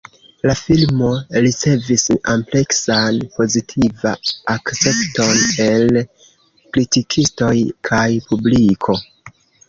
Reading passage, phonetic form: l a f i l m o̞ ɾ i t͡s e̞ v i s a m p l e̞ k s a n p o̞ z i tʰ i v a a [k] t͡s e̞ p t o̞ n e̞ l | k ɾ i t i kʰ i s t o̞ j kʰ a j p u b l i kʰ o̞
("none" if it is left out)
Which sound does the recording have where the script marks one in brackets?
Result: k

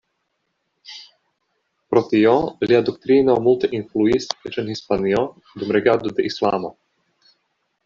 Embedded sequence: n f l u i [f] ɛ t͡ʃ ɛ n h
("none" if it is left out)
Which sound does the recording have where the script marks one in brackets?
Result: s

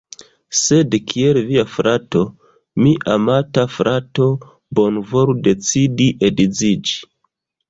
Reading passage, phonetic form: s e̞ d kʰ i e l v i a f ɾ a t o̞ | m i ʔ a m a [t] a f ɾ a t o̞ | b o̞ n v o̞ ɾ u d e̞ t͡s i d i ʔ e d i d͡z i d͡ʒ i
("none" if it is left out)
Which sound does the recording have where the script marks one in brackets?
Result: t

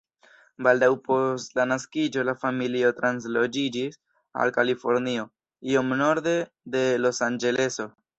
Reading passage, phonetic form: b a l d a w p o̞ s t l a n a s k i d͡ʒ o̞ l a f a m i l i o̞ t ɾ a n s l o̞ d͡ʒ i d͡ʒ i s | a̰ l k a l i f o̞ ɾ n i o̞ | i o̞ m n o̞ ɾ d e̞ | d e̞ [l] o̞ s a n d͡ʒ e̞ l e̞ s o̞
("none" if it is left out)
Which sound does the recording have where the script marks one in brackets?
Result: l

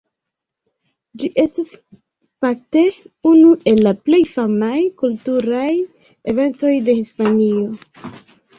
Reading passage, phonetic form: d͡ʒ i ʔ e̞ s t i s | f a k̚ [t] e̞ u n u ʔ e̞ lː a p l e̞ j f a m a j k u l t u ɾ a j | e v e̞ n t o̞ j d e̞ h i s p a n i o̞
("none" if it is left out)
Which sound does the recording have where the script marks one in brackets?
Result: t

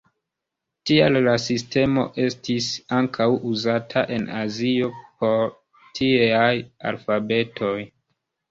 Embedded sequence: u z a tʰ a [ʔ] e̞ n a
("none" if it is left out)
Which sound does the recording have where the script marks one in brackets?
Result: ʔ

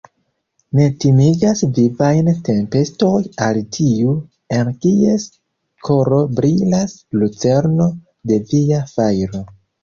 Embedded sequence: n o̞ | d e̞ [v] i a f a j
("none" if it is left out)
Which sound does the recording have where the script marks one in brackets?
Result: v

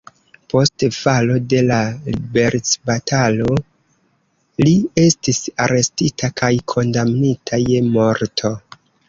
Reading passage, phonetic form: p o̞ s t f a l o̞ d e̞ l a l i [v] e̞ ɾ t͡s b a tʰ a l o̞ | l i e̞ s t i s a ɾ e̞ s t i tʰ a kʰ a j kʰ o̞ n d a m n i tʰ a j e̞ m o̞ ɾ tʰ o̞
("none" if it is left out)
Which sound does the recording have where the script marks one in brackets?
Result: b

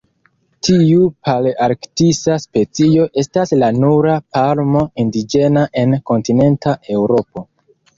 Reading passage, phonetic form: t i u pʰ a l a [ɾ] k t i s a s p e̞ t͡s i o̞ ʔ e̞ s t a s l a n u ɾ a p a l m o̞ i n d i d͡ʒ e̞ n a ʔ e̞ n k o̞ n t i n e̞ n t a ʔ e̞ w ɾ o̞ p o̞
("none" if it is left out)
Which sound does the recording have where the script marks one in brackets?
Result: ɾ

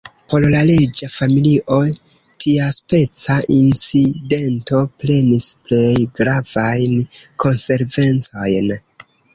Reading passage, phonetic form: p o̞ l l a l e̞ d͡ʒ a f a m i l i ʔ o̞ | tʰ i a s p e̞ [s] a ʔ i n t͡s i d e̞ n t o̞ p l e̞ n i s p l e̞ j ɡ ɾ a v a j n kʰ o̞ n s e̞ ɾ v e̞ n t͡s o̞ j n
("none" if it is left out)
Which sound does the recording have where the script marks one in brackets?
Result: t͡s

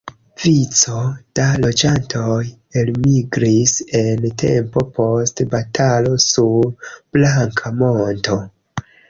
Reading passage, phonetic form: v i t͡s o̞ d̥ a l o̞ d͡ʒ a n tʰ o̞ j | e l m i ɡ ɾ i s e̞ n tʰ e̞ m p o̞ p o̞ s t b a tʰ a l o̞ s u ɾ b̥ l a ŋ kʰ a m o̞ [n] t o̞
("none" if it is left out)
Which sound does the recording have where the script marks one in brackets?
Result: n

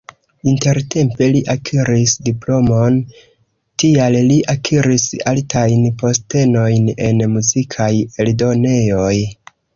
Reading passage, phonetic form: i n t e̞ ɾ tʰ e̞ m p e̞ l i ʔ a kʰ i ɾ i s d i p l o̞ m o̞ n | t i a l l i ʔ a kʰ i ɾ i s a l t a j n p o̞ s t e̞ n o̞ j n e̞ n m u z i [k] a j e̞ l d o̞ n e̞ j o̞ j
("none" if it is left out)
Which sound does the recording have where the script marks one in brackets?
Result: kʰ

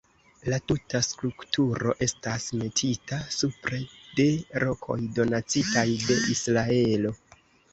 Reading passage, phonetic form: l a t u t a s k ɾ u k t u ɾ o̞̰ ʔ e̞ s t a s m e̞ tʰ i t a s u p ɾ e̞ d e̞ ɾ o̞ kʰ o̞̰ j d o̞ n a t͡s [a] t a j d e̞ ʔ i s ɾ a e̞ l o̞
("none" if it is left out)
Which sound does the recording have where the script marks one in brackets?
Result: i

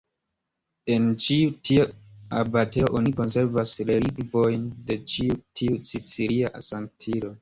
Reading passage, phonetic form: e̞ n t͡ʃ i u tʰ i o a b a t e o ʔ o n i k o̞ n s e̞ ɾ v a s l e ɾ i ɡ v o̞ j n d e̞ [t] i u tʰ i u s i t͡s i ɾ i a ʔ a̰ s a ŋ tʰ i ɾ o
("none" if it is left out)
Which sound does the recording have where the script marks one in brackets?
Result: t͡ʃ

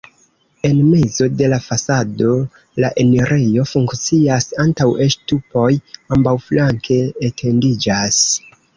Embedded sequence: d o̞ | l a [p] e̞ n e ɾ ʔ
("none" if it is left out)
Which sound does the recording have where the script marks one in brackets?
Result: ʔ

